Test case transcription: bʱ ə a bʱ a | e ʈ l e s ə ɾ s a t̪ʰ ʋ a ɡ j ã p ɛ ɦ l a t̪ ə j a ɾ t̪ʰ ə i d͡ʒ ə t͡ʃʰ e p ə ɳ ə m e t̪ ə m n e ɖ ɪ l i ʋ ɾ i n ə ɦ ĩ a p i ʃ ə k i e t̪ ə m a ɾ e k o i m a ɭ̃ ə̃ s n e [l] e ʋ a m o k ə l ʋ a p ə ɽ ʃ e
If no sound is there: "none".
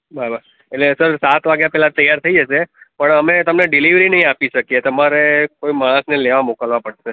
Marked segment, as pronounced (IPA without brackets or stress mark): l